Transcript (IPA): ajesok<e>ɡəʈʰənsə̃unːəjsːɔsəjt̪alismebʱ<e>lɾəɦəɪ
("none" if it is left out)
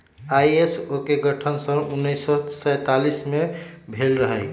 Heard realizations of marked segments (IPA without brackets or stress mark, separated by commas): e, e